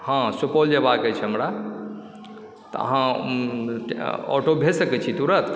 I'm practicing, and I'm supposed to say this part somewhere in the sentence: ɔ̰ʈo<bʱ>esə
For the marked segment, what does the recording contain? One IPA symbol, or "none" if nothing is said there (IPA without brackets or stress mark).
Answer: bʱ